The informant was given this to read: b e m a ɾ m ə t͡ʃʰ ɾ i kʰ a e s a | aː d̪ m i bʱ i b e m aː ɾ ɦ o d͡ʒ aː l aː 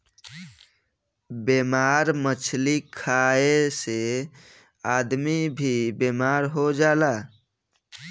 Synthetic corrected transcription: b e m a ɾ m ə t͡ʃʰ l i kʰ a e s e | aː d̪ m i bʱ i b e m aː ɾ ɦ o d͡ʒ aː l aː

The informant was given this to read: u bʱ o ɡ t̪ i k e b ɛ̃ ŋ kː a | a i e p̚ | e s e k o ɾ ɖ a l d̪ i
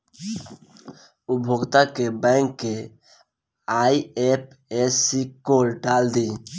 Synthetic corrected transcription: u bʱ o ɡ t̪ a k e b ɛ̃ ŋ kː e | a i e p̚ | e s i k o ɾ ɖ a l d̪ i

